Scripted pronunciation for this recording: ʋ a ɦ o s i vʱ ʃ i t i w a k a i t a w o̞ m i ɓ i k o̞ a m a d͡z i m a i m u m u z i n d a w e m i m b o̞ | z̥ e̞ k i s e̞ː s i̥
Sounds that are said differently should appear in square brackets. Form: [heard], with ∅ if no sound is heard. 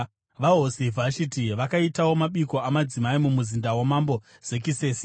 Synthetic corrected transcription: ʋ a ɦ o s i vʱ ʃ i t i [ʋ] a k a i t a w o̞ m [a] ɓ i k o̞ a m a d͡z i m a i m u m u z i n d a w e m [a] m b o̞ | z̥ e̞ k i s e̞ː s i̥